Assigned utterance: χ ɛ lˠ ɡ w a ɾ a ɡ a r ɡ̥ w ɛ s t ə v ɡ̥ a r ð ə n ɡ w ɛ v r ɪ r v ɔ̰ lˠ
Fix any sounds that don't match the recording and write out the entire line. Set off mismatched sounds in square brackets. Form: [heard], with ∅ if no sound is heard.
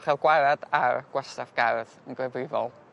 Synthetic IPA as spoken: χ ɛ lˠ ɡ w a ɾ a [d] a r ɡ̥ w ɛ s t [a] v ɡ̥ a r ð ə n ɡ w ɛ v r ɪ [∅] v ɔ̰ lˠ